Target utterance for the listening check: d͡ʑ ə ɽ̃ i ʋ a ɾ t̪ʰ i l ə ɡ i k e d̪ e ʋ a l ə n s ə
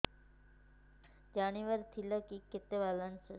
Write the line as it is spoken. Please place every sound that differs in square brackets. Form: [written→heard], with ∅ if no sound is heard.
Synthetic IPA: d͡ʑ [ə→a] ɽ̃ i ʋ [a→ə] ɾ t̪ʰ i l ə [ɡ→k] i k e [d̪→t̪] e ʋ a l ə n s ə